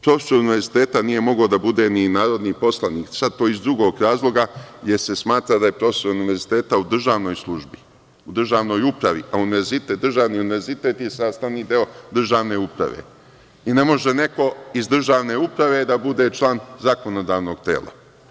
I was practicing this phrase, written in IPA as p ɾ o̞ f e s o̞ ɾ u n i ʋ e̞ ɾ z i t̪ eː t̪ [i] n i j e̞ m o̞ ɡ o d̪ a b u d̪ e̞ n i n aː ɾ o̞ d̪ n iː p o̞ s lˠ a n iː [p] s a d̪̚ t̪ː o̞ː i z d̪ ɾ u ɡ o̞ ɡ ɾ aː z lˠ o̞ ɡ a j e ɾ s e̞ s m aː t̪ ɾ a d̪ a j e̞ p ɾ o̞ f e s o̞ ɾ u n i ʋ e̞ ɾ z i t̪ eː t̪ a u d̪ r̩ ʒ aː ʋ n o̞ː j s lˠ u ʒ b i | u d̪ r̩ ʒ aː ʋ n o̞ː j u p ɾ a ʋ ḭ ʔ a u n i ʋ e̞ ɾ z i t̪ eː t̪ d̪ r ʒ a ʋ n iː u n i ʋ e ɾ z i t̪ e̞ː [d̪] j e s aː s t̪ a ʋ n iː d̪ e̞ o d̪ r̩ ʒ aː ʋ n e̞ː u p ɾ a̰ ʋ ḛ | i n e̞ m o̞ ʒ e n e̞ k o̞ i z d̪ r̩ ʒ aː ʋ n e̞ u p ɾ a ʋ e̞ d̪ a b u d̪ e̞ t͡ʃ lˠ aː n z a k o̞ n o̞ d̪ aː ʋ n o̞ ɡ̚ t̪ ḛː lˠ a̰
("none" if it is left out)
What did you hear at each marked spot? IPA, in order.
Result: a, k, t̪

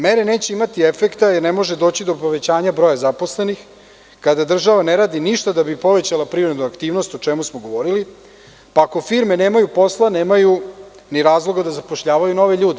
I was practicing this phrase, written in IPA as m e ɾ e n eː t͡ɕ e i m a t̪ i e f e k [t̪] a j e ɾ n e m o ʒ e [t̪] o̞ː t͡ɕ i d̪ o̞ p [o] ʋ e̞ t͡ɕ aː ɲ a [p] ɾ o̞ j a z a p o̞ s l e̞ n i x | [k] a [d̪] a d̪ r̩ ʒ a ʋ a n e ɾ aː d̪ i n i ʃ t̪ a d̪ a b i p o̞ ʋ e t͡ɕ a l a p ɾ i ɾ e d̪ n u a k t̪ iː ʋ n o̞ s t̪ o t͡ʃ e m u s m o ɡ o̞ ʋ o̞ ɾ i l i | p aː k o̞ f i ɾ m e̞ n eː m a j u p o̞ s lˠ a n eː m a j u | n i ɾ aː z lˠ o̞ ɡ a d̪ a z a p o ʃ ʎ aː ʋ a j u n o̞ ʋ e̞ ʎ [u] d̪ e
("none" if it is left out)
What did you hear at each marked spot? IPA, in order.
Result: t̪, d̪, o, b, k, d̪, uː

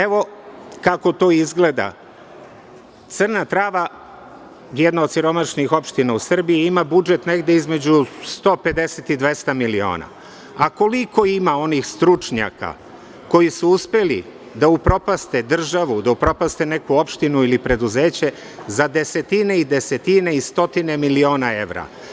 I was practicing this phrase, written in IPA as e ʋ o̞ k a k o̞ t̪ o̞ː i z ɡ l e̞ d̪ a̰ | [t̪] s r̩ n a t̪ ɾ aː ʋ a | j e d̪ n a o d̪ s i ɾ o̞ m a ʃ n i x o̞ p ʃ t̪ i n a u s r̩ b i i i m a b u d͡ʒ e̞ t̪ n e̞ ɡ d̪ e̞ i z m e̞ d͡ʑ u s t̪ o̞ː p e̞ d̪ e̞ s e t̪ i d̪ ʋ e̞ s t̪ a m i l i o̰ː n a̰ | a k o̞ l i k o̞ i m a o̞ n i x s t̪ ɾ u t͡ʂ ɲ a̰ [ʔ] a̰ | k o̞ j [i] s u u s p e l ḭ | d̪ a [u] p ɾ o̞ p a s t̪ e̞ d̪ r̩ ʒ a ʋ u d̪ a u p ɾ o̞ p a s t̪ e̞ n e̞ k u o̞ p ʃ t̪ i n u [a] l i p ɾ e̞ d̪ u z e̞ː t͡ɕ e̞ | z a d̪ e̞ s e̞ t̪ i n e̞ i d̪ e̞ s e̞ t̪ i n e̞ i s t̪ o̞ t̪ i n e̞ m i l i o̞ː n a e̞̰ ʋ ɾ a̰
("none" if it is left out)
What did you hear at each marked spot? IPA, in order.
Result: t̪, k, i, u, i

